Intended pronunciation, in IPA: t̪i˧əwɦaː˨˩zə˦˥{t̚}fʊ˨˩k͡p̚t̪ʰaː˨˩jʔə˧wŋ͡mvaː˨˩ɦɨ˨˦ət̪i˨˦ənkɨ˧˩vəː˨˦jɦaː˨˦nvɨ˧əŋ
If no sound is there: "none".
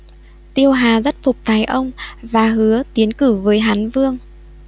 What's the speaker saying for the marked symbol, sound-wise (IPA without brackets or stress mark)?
t̚